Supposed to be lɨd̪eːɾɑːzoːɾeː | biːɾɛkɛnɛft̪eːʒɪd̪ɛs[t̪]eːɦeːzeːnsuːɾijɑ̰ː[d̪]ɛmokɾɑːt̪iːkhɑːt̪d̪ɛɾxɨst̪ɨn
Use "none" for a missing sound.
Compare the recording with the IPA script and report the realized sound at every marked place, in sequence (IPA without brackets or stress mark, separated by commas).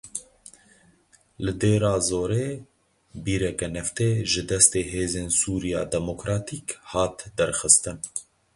t̪, d̪